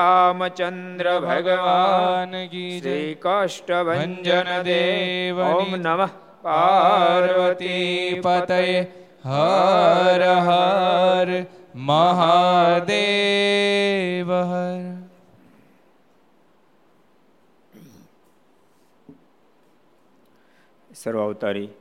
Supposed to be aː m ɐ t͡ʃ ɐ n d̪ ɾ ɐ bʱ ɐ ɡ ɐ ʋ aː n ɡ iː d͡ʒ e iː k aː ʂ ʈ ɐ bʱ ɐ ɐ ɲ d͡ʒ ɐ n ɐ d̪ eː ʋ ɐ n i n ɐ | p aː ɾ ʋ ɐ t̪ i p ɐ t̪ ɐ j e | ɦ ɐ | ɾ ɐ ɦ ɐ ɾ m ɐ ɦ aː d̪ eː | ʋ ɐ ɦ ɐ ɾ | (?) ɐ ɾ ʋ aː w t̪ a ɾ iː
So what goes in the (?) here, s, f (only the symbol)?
s